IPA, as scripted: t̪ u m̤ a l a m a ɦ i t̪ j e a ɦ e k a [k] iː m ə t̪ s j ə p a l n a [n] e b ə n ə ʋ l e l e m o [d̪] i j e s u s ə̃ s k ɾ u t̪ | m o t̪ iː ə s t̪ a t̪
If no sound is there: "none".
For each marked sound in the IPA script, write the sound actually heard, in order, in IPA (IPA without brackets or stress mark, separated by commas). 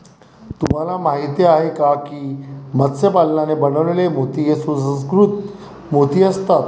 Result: k, n, t̪